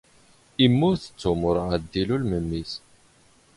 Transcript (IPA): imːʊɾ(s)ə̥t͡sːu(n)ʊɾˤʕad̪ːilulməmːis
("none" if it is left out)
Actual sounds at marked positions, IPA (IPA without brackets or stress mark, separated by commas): θ, m